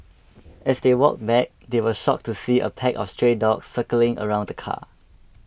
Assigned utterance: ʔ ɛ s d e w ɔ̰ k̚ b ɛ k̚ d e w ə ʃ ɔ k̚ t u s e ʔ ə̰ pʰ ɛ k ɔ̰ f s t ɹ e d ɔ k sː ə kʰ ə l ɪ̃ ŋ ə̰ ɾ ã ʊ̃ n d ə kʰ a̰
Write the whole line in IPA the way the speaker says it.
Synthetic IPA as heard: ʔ ɛ s d e w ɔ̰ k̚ b ɛ k̚ d e w ə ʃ ɔ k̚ t u s i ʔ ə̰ pʰ ɛ k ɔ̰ f s t ɹ e d ɔ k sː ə k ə l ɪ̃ ŋ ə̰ ɹ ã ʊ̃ n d ə kʰ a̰